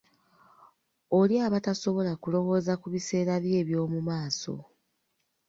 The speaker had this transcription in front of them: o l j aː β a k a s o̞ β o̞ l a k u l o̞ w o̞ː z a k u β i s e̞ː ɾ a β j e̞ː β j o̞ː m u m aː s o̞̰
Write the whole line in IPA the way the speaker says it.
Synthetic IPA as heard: o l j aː β a t a s o̞ β o̞ l a k u l o̞ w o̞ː z a k u β i s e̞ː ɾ a β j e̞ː β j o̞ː m u m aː s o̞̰